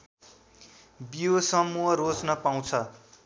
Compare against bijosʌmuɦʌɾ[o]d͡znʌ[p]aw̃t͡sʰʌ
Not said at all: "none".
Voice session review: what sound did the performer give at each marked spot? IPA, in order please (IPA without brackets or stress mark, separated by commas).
o, p